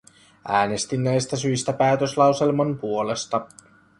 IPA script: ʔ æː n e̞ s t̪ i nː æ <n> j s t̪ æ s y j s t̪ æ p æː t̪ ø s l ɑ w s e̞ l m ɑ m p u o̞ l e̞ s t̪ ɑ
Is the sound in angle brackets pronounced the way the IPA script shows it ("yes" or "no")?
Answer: no